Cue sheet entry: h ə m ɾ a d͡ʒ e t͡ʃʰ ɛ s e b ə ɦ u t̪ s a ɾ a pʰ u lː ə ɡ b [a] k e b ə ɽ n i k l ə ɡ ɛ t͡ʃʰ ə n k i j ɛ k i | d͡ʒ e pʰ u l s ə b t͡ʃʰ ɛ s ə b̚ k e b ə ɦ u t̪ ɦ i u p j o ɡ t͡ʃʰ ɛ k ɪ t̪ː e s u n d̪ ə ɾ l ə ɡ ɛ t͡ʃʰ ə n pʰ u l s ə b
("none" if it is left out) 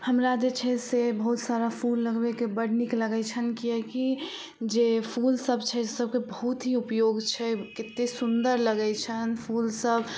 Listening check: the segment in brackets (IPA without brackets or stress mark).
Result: e